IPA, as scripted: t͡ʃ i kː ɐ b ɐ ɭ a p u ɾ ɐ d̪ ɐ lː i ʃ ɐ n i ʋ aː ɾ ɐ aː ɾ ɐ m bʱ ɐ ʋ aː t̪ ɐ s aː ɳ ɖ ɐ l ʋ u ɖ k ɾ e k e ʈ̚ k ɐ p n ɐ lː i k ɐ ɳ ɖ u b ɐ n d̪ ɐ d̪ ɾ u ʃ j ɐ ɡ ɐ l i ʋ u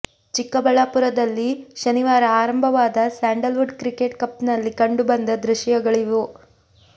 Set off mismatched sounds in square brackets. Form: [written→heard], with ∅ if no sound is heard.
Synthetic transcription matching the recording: t͡ʃ i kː ɐ b ɐ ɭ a p u ɾ ɐ d̪ ɐ lː i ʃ ɐ n i ʋ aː ɾ ɐ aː ɾ ɐ m bʱ ɐ ʋ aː [t̪→d̪] ɐ s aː ɳ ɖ ɐ l ʋ u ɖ k ɾ [e→i] k e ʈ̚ k ɐ p n ɐ lː i k ɐ ɳ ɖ u b ɐ n d̪ ɐ d̪ ɾ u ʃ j ɐ ɡ ɐ [l→ɭ] i ʋ u